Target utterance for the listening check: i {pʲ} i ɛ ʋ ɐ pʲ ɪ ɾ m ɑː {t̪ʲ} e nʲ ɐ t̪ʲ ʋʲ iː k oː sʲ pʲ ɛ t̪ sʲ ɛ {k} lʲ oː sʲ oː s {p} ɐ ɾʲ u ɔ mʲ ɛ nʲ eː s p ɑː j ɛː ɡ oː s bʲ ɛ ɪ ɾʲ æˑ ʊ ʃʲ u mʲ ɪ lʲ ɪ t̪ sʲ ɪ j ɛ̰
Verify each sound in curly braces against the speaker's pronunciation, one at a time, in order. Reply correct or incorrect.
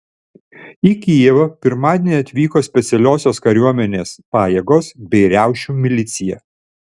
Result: incorrect: kʲ, incorrect: d̪ʲ, incorrect: none, incorrect: k

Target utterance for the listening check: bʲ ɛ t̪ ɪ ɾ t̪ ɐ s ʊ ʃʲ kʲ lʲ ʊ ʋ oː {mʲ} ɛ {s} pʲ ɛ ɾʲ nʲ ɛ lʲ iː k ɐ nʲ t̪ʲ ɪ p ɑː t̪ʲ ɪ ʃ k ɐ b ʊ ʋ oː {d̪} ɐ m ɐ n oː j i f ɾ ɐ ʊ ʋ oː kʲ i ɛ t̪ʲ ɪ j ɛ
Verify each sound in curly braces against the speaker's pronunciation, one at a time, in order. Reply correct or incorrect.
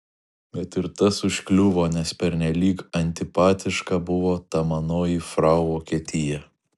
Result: incorrect: nʲ, correct, incorrect: t̪

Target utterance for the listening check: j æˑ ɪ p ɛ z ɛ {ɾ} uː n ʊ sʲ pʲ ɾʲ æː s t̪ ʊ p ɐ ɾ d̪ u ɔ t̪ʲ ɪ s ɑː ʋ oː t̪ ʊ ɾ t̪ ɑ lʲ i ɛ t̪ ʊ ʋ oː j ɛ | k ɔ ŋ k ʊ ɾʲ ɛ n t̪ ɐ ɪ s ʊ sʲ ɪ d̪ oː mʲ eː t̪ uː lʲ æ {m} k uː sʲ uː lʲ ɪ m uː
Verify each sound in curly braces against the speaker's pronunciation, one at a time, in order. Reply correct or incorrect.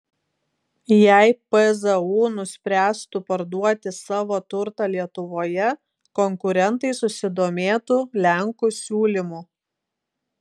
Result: incorrect: none, incorrect: ŋ

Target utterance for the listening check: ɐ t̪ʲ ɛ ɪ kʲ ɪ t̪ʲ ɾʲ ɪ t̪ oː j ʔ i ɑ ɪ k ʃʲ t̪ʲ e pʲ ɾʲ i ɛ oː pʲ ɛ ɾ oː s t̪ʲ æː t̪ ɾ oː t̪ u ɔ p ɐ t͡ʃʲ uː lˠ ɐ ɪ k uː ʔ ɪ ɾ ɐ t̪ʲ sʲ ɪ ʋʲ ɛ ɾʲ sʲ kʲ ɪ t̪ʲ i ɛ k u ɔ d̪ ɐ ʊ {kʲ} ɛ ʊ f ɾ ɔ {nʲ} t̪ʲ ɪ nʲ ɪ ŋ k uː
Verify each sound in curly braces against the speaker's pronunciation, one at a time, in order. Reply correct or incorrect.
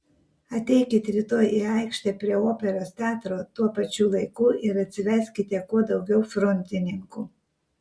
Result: incorrect: ɡʲ, correct

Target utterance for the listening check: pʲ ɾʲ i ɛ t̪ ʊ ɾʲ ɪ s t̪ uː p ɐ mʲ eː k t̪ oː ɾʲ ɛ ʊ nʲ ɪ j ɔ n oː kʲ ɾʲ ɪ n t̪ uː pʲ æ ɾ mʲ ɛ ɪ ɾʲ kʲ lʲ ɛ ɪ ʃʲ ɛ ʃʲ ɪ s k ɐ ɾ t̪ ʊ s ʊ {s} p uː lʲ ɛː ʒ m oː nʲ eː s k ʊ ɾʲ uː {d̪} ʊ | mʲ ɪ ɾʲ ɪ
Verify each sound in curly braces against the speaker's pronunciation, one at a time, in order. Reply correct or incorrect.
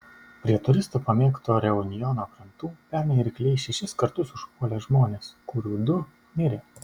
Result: incorrect: ʃ, correct

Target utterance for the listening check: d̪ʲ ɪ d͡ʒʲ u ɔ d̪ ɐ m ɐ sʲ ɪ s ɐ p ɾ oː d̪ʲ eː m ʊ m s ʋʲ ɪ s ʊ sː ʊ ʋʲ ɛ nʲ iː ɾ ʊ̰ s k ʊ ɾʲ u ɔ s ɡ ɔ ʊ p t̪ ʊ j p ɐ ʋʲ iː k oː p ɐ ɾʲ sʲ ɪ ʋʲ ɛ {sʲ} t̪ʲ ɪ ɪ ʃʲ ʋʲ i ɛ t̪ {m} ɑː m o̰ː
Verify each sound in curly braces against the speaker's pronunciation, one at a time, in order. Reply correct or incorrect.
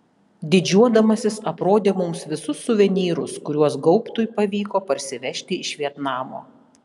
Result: incorrect: ʃʲ, incorrect: n

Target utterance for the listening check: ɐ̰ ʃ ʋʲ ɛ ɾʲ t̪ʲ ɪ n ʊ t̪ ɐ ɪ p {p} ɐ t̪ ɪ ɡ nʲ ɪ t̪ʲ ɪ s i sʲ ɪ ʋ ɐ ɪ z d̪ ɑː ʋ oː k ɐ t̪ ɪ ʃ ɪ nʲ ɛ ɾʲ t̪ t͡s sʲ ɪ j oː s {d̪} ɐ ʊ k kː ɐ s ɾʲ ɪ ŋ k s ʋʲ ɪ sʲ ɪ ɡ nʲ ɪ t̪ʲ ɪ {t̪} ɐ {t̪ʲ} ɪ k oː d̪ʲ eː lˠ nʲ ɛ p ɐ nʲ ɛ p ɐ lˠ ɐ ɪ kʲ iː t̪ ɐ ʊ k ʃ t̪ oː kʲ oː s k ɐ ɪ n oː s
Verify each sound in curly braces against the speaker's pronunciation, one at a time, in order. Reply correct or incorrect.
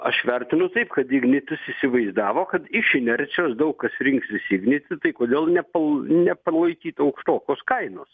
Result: incorrect: k, correct, correct, incorrect: none

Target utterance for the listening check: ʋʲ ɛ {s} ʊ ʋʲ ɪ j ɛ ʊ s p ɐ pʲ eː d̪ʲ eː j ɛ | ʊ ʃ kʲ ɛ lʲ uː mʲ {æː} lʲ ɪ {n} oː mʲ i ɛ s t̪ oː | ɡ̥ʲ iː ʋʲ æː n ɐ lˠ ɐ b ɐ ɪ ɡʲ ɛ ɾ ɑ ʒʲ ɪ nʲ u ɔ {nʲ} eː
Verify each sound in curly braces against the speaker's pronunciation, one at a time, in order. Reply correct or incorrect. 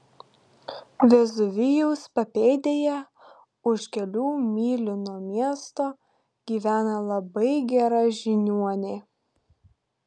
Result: incorrect: z, incorrect: iː, correct, correct

